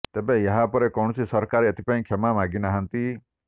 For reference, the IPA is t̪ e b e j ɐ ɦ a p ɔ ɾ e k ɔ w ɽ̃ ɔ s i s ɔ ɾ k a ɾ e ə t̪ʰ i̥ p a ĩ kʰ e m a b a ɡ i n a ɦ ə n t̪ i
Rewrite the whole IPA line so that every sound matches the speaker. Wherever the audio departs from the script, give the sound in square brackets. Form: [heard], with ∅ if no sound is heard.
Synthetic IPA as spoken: t̪ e b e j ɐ ɦ a p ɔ ɾ e k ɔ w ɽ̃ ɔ s i s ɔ ɾ k a ɾ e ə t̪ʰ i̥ p a ĩ kʰ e m a [m] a ɡ i n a ɦ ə n t̪ i